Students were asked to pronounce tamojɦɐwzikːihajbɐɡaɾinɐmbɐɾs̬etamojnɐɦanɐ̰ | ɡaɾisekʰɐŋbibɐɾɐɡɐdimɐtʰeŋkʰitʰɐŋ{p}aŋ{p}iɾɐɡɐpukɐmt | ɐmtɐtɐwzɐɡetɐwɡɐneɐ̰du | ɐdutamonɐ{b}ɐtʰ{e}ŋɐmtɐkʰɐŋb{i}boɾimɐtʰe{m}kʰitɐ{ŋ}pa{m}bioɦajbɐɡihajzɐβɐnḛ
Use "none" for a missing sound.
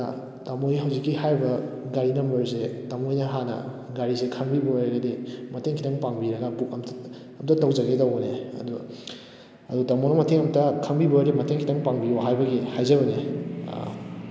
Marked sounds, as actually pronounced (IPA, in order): p, b, m, e, i, ŋ, ŋ, ŋ

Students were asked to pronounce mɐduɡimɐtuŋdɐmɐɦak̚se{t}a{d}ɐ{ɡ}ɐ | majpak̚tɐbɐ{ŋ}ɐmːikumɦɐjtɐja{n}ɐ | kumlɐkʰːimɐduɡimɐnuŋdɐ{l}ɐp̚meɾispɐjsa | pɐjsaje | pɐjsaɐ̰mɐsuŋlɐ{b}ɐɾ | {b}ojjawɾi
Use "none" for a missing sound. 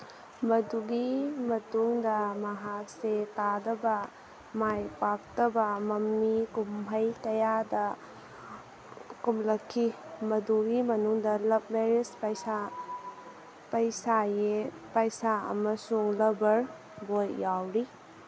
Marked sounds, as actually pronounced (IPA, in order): t, d, b, m, d, l, b, b

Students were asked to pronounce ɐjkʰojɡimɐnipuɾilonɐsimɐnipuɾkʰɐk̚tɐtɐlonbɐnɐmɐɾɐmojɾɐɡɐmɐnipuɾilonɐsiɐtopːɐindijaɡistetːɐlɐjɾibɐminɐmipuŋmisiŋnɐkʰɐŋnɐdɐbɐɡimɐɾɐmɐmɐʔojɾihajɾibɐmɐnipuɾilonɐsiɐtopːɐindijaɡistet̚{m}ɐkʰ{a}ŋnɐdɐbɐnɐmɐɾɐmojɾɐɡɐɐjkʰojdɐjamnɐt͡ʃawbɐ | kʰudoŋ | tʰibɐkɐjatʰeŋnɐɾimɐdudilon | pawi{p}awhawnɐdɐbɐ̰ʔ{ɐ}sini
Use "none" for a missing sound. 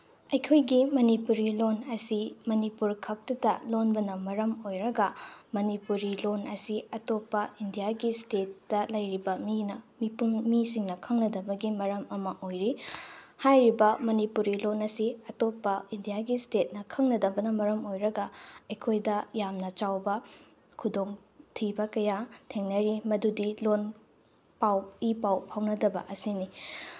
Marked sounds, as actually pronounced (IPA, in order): n, ɐ, p, ɐ

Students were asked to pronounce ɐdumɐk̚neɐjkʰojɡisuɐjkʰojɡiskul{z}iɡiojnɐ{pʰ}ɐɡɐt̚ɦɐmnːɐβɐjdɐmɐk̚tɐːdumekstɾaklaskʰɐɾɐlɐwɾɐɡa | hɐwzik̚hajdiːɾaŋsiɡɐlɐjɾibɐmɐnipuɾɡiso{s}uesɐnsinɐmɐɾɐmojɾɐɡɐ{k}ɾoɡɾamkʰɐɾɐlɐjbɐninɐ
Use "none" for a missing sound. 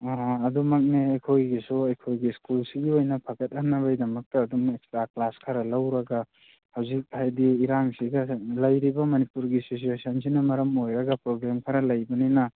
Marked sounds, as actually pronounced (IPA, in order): s, pʰ, s, p

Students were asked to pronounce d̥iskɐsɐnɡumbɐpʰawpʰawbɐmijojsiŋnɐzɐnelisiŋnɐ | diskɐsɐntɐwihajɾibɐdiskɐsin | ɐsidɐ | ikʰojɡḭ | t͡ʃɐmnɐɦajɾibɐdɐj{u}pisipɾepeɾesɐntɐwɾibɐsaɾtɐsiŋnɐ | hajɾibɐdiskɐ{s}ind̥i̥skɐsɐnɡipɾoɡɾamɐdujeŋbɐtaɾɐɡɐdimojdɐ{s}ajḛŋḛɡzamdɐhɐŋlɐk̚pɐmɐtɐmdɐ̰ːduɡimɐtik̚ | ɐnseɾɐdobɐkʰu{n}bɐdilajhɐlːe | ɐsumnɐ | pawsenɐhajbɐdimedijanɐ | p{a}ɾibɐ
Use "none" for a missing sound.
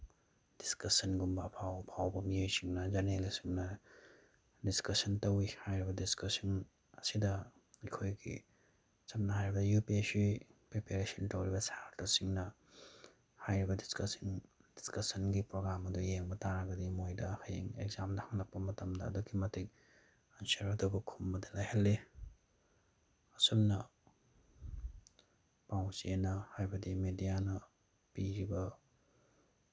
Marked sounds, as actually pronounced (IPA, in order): u, s, h, m, i

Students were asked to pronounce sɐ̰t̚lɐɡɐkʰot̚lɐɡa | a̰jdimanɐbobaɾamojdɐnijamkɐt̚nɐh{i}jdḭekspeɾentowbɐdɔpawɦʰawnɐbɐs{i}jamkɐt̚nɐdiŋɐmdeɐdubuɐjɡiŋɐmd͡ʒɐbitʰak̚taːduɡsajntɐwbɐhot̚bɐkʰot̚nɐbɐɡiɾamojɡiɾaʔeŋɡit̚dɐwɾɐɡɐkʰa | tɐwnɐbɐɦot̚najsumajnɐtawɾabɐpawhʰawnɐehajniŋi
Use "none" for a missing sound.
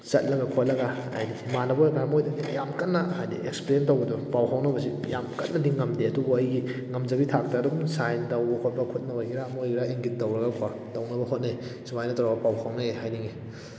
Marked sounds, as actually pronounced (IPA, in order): a, i

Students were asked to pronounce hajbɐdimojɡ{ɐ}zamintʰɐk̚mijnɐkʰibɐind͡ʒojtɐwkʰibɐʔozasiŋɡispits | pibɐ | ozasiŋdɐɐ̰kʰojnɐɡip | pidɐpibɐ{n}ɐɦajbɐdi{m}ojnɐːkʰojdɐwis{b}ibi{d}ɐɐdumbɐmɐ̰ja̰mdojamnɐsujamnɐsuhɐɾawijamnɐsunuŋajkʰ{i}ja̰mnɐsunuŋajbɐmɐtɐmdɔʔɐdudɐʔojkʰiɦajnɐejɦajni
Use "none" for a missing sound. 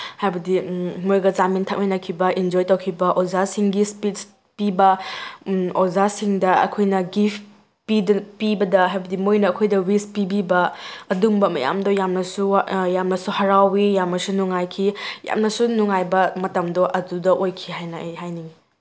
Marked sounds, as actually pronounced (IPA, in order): ɐ, d, m, p, b, i

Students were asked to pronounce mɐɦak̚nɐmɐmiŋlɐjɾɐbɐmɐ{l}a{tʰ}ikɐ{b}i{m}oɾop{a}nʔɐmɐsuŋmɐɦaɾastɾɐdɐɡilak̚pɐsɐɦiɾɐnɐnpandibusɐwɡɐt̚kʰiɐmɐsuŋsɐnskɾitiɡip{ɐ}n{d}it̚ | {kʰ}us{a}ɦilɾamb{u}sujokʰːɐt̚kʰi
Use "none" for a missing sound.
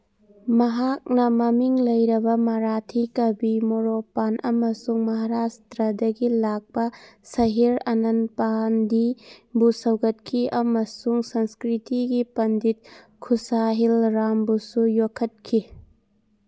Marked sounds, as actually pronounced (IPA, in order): ɾ, tʰ, b, m, a, ɐ, d, kʰ, a, u

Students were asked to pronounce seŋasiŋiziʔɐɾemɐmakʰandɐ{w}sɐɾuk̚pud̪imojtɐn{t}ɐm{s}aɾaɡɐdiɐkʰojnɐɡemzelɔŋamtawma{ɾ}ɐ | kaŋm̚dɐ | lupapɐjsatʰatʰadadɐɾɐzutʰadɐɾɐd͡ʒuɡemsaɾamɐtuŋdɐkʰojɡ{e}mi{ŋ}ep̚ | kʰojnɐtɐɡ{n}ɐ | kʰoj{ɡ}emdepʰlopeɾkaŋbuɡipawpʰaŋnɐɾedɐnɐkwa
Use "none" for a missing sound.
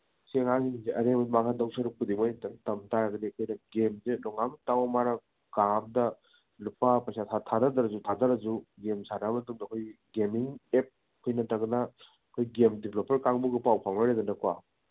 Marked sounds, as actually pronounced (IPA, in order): w, t, t, ɾ, e, ŋ, n, ɡ

